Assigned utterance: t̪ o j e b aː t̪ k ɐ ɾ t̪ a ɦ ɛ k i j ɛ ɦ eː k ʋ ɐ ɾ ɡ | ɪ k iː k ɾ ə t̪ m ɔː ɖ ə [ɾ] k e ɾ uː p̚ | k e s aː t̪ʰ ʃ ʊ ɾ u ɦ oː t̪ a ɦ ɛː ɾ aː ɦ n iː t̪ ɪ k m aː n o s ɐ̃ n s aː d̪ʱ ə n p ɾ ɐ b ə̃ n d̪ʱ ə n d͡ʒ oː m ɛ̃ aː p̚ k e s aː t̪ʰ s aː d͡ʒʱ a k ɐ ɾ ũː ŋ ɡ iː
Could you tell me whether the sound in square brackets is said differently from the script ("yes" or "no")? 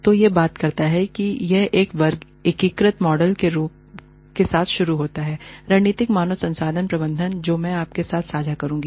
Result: yes